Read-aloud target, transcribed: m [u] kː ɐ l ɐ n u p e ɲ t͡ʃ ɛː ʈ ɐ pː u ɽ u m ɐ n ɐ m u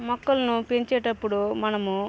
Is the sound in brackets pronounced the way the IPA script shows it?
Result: no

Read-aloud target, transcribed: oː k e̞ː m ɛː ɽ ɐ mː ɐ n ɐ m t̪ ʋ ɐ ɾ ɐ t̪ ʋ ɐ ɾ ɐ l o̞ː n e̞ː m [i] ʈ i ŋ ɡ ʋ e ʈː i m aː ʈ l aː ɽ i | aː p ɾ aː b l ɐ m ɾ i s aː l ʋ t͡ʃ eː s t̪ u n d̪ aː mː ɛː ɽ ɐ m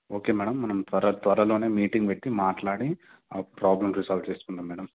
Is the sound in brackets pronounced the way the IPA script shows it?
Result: no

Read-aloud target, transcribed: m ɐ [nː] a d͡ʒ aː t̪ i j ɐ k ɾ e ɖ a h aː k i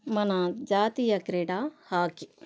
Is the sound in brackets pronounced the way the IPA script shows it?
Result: no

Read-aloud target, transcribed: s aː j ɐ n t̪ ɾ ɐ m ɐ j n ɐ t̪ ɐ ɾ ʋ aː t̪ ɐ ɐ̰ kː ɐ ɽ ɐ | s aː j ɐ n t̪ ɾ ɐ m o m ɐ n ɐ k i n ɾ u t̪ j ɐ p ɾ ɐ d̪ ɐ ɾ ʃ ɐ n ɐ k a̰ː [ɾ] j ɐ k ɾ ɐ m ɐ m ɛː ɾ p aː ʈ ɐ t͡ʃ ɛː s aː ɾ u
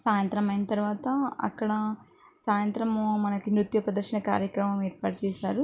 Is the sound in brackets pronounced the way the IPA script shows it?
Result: yes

